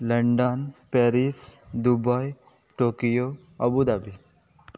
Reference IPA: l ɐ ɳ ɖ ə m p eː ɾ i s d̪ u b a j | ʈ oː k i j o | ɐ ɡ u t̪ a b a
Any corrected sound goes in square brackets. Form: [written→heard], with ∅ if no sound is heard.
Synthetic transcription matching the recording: l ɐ ɳ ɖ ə [m→n] p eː ɾ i s d̪ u b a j | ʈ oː k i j o | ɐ [ɡ→b] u [t̪→d̪] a b [a→i]